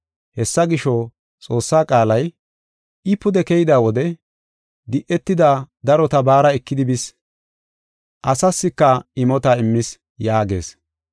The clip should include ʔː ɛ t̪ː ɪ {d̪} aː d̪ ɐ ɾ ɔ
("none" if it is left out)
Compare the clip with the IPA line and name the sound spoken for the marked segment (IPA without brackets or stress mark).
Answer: d̪